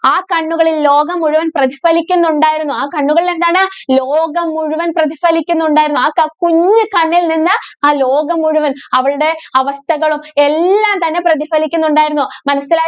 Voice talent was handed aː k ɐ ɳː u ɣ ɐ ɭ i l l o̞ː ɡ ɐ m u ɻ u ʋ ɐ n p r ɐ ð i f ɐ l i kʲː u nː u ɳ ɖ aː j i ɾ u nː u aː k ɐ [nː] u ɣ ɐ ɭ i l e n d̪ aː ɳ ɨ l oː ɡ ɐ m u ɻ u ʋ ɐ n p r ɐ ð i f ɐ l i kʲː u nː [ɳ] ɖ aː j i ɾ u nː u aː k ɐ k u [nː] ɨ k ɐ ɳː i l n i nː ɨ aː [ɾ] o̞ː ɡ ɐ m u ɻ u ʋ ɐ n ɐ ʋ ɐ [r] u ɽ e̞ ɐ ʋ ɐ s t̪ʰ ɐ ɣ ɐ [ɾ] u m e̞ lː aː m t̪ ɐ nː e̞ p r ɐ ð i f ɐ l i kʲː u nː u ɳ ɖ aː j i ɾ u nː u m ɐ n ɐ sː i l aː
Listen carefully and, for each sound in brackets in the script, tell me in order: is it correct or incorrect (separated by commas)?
incorrect, correct, incorrect, incorrect, incorrect, incorrect